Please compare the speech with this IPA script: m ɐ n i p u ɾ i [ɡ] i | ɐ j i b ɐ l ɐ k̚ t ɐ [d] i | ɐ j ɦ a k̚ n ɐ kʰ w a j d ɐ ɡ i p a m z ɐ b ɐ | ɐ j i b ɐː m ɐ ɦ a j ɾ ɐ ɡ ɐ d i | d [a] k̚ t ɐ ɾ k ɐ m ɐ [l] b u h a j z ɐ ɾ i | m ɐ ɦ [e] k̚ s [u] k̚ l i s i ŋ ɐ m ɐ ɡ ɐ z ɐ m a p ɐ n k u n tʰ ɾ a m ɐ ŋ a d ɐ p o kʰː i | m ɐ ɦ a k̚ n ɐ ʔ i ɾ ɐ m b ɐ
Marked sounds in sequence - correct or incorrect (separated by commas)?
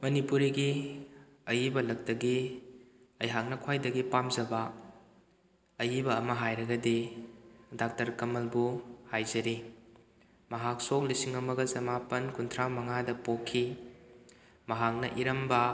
correct, incorrect, correct, correct, incorrect, incorrect